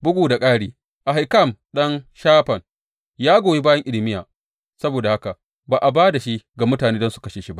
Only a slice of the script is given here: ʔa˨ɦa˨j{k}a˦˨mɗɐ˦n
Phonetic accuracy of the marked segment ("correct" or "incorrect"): correct